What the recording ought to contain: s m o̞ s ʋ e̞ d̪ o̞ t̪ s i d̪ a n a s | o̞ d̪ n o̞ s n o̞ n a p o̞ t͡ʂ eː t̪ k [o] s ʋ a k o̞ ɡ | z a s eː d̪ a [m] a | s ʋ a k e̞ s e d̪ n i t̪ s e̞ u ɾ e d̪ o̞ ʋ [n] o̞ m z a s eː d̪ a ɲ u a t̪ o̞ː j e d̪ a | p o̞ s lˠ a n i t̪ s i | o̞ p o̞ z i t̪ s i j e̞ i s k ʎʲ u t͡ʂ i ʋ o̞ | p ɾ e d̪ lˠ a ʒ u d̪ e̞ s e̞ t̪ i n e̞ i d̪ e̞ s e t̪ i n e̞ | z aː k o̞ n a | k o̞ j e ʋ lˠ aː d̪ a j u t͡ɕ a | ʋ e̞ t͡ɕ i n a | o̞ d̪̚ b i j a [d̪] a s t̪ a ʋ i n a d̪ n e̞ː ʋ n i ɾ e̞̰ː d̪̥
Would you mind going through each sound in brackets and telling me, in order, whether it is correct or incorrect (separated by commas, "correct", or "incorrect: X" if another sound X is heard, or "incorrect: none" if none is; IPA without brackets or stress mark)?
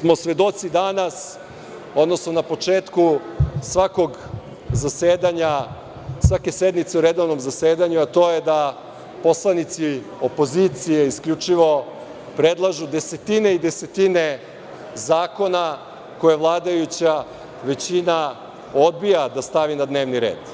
incorrect: u, incorrect: ɲ, correct, correct